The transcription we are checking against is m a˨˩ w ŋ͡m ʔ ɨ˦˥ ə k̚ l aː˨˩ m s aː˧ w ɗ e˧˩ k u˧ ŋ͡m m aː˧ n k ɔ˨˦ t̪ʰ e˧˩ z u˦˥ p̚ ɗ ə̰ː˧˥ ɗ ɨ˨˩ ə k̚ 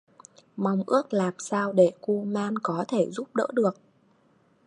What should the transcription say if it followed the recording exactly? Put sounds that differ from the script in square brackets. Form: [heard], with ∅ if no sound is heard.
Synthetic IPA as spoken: m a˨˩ w ŋ͡m ʔ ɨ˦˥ ə k̚ l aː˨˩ m s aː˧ w ɗ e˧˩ k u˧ [∅] m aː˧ n k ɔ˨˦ t̪ʰ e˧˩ z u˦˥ p̚ ɗ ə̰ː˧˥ ɗ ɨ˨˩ ə k̚